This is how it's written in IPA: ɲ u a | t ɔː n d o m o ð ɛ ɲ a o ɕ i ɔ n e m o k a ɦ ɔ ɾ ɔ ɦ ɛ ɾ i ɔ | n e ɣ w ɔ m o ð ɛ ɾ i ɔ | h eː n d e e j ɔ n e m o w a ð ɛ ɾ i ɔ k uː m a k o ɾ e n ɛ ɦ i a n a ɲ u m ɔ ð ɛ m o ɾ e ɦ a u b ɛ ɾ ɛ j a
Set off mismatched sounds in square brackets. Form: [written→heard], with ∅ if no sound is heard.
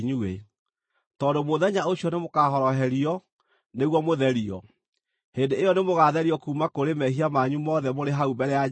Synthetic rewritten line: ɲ u [a→e] | t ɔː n d o m o ð ɛ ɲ a o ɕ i ɔ n e m o k a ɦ ɔ ɾ ɔ ɦ ɛ ɾ i ɔ | n e ɣ w ɔ m o ð ɛ ɾ i ɔ | h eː n d e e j ɔ n e m o [w→ɣ] a ð ɛ ɾ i ɔ k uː m a k o ɾ e [n→m] ɛ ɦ i a [n→m] a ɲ u m ɔ ð ɛ m o ɾ e ɦ a u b ɛ ɾ ɛ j a